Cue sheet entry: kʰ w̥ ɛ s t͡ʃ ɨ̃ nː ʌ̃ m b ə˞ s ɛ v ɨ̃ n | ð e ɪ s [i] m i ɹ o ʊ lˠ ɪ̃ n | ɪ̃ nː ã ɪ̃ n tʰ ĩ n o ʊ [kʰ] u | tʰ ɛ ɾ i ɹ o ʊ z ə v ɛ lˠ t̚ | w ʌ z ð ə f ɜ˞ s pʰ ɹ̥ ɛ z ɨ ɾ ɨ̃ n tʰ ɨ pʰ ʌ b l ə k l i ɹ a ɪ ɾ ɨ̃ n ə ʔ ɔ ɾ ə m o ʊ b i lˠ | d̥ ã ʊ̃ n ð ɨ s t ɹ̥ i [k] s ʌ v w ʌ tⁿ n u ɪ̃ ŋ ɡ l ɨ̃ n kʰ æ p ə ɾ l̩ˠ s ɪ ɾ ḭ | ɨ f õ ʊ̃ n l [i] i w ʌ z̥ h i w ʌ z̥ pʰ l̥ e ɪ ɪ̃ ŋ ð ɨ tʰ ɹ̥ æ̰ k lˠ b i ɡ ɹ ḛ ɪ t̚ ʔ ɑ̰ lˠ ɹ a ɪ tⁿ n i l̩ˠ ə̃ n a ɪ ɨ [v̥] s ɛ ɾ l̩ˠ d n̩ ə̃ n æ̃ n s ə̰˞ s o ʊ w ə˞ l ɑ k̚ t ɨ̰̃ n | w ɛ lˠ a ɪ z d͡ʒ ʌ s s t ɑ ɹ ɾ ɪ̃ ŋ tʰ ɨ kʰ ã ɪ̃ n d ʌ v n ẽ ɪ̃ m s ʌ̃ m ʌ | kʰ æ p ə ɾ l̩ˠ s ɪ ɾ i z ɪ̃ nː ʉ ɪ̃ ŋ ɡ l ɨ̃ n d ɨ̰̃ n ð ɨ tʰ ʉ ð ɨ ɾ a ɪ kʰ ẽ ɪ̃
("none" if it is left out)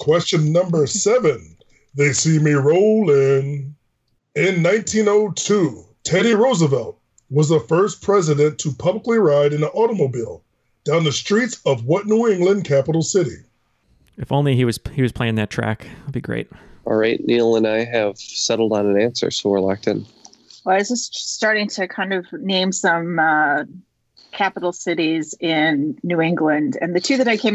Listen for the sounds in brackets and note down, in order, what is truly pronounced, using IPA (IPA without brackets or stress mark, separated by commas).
i, tʰ, t, i, v̥